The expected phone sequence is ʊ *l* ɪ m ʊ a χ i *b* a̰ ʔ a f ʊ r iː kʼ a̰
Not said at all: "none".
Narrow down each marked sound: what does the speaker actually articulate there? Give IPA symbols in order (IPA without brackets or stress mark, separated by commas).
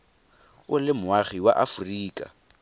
l, w